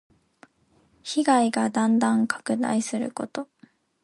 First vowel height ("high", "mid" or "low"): high